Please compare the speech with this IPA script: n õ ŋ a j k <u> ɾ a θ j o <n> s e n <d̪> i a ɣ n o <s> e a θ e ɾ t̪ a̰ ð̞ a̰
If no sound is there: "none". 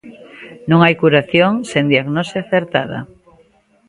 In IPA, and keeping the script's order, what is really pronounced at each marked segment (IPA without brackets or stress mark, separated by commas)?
u, ŋ, d̪, s